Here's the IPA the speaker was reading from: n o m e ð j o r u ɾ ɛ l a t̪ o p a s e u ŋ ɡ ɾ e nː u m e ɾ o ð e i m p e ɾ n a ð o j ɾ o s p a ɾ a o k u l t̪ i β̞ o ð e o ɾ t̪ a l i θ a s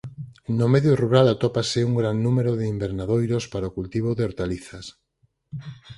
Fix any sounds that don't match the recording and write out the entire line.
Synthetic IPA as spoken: n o m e ð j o r u ɾ a l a t̪ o p a s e u ŋ ɡ ɾ a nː u m e ɾ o ð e i m b e ɾ n a ð o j ɾ o s p a ɾ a o k u l t̪ i β̞ o ð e o ɾ t̪ a l i θ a s